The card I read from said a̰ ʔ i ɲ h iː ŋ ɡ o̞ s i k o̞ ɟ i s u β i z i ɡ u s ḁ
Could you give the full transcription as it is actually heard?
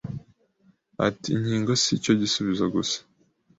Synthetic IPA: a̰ t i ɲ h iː ŋ ɡ o̞ s i c o̞ ɟ i s u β i z a ɡ u s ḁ